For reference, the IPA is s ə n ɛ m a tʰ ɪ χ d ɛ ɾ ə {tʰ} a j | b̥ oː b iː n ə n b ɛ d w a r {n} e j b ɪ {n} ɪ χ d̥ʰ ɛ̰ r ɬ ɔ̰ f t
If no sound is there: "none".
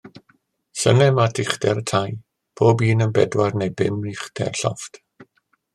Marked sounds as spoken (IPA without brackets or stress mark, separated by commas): tʰ, n, m